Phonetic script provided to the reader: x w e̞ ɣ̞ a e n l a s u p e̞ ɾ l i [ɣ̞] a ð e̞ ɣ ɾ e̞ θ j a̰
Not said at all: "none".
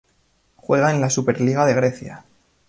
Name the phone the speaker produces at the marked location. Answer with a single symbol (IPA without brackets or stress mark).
ɣ̞